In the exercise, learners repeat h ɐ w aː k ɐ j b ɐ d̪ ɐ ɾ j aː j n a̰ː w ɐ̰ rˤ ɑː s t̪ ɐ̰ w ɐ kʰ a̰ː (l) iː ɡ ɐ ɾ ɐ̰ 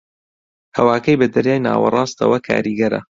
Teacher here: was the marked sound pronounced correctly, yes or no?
no